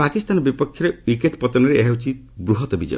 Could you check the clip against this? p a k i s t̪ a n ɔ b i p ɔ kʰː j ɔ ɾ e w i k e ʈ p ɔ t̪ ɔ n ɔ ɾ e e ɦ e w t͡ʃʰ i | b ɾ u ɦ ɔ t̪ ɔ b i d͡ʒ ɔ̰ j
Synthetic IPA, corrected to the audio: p a k i s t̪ a n ɔ b i p ɔ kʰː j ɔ ɾ e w i k e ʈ p ɔ t̪ ɔ n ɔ ɾ e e ɦ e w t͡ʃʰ i | b ɾ u ɦ ɔ t̪ ɔ b i d͡ʒ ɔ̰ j